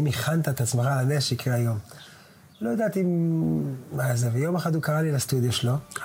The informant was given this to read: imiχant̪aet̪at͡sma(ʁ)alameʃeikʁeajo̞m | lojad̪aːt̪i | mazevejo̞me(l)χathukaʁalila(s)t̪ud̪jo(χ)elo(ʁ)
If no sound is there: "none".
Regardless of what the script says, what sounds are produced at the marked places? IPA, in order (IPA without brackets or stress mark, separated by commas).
χ, none, s, ʃ, none